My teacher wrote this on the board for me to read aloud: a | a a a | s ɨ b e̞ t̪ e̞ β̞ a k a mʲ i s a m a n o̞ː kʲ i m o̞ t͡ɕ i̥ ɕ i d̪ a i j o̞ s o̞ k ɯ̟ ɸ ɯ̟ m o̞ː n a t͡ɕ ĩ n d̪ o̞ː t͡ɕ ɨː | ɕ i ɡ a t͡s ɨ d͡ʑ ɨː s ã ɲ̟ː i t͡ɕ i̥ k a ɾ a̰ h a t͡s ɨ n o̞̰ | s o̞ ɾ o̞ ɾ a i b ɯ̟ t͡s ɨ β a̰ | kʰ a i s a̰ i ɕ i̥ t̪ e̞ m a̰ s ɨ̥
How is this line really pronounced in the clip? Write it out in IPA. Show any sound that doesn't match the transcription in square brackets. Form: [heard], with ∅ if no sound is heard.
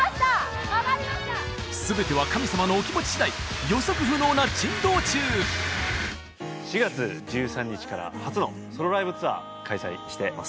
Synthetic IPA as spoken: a | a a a | s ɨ b e̞ t̪ e̞ β̞ a k a mʲ i s a m a n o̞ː kʲ i m o̞ t͡ɕ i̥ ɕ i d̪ a i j o̞ s o̞ k ɯ̟ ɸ ɯ̟ [n] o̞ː n a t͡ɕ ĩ n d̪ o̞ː t͡ɕ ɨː | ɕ i ɡ a t͡s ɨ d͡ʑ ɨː s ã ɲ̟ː i t͡ɕ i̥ k a ɾ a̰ h a t͡s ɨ n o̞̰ | s o̞ ɾ o̞ ɾ a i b ɯ̟ t͡s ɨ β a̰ | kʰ a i s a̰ i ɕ i̥ t̪ e̞ m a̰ s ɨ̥